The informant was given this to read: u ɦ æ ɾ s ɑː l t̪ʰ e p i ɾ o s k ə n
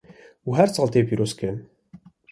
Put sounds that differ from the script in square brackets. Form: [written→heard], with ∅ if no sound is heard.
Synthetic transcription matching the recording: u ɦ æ ɾ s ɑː l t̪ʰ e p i ɾ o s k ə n